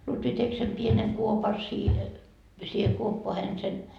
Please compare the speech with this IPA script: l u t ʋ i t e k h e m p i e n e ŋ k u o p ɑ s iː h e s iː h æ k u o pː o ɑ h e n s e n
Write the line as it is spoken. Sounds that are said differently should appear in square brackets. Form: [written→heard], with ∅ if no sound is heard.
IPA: l u t ʋ i t e k [h→s] e m p i e n e ŋ k u o p ɑ s iː h e s iː h [æ→e] k u o pː o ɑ h e n s e n